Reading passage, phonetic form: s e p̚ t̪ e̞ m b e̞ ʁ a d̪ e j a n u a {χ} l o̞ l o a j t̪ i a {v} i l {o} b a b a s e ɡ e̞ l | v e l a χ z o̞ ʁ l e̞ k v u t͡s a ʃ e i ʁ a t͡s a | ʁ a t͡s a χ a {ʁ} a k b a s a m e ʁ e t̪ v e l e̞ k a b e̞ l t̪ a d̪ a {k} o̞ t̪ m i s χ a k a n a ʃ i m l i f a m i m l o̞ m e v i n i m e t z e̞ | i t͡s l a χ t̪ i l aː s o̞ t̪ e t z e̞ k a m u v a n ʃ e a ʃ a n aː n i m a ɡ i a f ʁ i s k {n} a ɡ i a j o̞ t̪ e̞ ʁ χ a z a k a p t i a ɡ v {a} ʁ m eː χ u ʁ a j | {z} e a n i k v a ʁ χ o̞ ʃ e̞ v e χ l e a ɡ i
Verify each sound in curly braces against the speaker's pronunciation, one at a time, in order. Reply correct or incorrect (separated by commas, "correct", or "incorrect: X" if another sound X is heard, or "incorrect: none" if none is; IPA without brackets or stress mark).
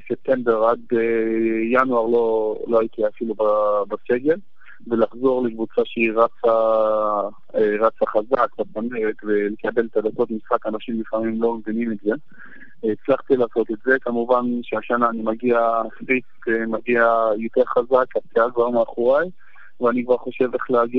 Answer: incorrect: ʁ, incorrect: f, incorrect: u, incorrect: z, correct, incorrect: m, correct, incorrect: v